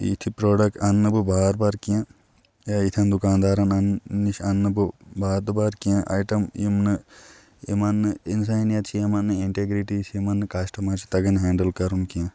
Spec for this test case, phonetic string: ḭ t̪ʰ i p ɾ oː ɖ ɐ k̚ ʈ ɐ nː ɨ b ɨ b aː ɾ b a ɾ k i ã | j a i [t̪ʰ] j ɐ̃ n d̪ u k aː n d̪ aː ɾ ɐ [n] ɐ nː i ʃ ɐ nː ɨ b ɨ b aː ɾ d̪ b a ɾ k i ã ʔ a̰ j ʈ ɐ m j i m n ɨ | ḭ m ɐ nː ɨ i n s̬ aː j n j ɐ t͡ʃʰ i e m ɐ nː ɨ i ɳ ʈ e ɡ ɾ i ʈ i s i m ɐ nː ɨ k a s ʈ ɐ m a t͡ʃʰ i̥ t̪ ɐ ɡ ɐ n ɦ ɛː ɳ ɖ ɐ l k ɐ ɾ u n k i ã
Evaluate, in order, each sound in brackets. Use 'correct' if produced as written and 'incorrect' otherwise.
correct, correct

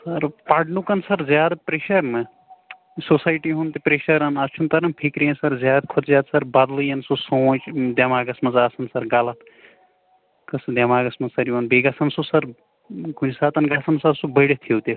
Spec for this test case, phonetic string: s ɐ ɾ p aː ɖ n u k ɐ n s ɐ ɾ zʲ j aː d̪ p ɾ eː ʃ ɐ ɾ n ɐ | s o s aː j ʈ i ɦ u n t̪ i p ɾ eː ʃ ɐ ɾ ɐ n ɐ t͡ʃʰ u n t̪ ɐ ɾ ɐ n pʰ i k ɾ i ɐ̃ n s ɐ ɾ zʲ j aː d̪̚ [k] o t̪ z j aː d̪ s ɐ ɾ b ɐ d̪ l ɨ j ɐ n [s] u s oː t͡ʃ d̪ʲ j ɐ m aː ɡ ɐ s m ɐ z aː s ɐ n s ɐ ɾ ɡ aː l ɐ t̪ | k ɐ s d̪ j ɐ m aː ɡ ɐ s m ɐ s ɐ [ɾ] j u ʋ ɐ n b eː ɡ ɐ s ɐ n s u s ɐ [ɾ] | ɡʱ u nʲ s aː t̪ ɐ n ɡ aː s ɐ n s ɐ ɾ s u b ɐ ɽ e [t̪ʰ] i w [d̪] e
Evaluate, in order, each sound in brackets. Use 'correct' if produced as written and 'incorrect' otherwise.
incorrect: kʰ, correct, correct, correct, correct, incorrect: t̪

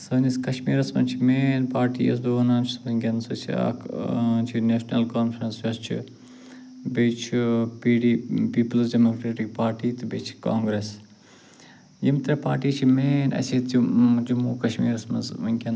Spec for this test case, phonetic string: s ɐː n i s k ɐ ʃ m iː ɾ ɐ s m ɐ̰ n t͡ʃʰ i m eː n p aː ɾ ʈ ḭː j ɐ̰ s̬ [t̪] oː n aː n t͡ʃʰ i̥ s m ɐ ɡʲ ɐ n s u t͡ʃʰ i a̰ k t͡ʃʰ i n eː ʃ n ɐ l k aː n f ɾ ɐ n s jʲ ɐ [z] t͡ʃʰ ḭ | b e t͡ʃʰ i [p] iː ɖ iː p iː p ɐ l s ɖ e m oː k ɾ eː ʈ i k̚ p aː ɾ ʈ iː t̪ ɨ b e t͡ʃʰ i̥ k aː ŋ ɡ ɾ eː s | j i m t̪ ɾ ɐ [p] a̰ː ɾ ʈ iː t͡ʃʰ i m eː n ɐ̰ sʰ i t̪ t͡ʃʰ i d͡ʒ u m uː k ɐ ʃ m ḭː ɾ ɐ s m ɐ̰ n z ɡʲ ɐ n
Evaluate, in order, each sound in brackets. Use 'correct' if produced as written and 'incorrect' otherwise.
incorrect: d̪, incorrect: s, correct, correct

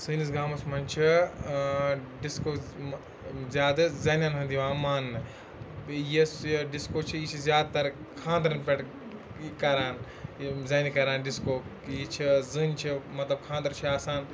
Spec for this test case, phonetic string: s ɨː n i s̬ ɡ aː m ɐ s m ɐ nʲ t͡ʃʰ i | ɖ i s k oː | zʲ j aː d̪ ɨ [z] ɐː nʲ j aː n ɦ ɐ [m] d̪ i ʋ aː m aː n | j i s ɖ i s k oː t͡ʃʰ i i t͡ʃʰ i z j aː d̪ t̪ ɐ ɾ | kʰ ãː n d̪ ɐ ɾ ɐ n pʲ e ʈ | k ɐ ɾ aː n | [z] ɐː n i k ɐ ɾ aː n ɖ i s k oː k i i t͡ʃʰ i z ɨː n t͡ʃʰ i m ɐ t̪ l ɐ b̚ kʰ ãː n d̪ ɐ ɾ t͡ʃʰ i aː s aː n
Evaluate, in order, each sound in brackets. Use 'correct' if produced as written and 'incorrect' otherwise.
correct, incorrect: n, correct

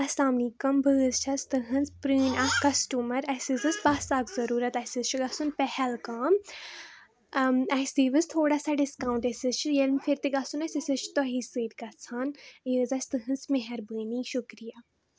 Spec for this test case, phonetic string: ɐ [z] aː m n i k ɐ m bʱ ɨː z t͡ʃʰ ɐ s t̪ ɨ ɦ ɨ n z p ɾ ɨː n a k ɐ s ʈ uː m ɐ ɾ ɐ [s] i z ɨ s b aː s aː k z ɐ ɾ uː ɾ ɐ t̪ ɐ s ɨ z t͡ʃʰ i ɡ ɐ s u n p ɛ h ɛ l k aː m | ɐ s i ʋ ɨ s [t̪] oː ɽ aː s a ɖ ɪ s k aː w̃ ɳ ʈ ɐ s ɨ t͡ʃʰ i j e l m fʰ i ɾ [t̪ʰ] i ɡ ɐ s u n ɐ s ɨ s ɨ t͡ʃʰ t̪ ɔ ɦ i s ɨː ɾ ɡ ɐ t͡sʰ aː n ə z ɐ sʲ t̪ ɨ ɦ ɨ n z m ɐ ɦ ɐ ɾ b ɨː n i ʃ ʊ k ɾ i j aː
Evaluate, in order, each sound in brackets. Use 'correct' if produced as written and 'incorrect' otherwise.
incorrect: s, correct, incorrect: t̪ʰ, incorrect: t̪

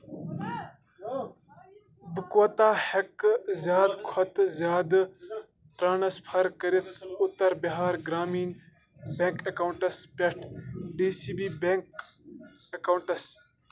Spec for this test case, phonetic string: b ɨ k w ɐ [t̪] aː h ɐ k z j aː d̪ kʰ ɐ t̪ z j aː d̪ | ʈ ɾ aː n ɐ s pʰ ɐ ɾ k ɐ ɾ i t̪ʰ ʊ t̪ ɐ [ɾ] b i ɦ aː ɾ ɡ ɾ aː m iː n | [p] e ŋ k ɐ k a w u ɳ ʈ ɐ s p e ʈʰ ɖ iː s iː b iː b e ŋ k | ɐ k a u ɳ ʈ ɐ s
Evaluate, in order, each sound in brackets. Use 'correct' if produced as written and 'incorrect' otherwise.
correct, correct, incorrect: b

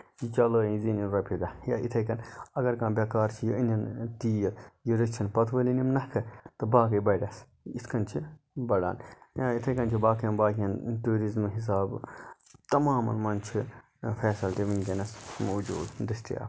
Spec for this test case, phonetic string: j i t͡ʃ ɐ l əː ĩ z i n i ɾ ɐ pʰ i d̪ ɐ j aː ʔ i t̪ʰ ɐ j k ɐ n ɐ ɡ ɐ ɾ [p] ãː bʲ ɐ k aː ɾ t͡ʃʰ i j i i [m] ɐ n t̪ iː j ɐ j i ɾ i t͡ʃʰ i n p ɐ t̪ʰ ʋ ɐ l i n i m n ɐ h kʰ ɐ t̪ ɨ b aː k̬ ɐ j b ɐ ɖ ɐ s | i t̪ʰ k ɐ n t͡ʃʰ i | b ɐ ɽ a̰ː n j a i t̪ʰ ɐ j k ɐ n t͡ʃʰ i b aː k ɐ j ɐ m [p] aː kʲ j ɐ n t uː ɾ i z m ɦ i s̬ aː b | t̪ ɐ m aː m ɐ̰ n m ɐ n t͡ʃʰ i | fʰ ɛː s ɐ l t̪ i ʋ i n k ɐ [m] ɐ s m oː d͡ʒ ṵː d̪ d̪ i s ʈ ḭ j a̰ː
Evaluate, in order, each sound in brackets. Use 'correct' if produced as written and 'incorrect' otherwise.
incorrect: k, incorrect: n, incorrect: b, incorrect: n

